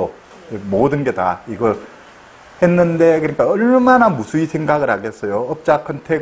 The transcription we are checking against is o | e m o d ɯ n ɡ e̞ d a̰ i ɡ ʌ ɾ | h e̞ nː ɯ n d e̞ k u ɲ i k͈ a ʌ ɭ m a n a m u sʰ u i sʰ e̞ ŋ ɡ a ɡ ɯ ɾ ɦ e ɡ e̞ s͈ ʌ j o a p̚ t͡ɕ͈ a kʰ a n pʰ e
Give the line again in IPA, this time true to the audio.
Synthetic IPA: o | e m o d ɯ n ɡ e̞ d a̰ i ɡ ʌ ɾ | h e̞ nː ɯ n d e̞ k ɯ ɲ i k͈ a ʌ ɭ m a n a m u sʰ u i sʰ e̞ ŋ ɡ a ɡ ɯ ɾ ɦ a ɡ e̞ s͈ ʌ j o ʌ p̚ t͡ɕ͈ a kʰ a n tʰ e

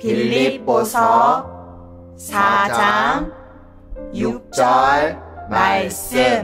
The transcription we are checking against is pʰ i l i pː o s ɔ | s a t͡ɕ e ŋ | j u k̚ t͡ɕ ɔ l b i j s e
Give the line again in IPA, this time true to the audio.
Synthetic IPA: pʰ i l i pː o s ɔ | s a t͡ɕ a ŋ | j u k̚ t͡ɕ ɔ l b a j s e

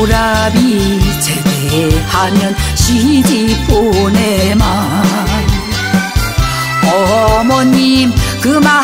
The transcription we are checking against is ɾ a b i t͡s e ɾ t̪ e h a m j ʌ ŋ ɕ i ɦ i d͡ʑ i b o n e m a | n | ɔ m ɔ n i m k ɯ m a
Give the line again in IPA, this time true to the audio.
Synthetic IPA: ɾ a b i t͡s e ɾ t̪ e h a m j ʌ n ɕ i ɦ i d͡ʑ i p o n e m a | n | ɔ m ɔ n i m k ɯ m a

